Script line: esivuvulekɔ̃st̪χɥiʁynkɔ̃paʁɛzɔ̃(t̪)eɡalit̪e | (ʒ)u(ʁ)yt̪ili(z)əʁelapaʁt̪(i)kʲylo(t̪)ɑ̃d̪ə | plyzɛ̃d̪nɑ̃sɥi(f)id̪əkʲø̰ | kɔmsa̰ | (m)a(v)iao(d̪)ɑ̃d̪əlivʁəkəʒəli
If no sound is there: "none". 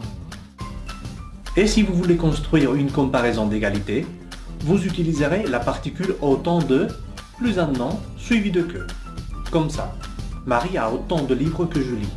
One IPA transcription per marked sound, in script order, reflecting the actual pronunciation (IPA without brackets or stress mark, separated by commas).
d̪, v, z, z, i, t̪, v, m, ʁ, t̪